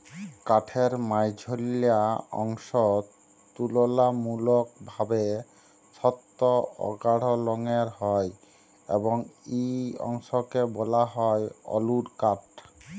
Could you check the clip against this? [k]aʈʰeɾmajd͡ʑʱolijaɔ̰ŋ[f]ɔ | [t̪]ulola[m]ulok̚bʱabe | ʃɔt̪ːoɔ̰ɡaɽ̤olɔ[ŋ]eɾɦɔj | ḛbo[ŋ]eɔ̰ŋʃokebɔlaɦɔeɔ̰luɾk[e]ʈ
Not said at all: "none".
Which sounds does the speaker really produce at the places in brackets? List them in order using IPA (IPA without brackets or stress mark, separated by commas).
k, ʃ, t̪, m, ŋ, ŋ, a